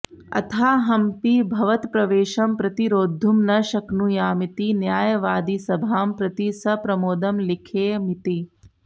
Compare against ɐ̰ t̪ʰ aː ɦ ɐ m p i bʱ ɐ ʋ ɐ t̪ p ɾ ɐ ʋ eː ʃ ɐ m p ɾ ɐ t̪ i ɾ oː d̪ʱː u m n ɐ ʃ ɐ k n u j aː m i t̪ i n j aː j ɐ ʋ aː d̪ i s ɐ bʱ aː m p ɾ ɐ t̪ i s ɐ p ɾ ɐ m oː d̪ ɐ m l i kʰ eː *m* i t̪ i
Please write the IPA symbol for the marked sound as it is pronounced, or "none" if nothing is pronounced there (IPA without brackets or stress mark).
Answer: m